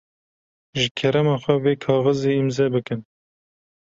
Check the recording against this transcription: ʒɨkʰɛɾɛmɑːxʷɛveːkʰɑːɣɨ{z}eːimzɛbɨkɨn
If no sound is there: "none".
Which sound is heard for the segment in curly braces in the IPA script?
z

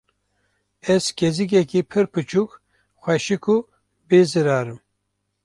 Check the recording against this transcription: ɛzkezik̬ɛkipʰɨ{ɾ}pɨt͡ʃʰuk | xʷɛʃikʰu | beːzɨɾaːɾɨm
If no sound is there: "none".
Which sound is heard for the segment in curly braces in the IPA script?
ɾ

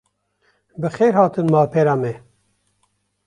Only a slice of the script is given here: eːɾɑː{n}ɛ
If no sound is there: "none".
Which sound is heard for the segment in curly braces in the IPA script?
m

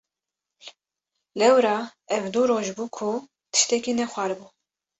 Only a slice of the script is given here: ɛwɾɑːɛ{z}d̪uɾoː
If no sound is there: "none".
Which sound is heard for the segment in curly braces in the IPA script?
v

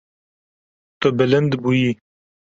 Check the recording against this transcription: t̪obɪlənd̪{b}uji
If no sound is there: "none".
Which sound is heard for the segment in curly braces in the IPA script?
b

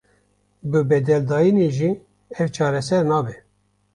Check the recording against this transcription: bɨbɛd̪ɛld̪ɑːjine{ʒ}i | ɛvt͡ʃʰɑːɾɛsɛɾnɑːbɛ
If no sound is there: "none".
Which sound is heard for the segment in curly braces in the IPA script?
ʒ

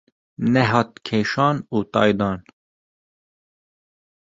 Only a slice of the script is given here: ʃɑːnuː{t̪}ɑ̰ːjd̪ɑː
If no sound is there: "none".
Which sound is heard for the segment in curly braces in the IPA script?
t̪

